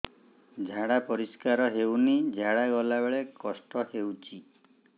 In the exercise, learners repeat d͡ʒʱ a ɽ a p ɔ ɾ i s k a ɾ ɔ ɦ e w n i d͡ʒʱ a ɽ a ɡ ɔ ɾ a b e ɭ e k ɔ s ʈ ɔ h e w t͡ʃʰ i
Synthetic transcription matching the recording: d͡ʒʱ a ɽ a p ɔ ɾ i s k a ɾ ɔ ɦ e w n i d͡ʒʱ a ɽ a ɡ ɔ l a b e ɭ e k ɔ s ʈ ɔ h e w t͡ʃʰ i